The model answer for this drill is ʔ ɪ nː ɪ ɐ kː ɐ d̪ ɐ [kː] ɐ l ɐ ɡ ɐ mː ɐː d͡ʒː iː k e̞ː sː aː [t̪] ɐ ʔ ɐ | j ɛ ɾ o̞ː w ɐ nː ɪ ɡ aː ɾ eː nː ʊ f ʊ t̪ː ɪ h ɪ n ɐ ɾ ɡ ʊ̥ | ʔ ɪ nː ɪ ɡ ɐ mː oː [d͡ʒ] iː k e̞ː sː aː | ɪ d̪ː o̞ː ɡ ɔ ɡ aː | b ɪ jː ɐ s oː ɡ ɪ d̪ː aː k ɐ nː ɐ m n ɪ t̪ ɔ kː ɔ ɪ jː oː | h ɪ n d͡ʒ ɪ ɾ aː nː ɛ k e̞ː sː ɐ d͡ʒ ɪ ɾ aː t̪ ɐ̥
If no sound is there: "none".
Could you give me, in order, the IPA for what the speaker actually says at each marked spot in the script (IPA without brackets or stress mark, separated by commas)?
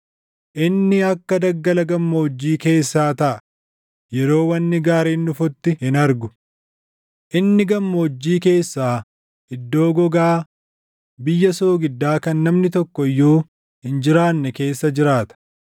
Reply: ɡː, t̪, d͡ʒː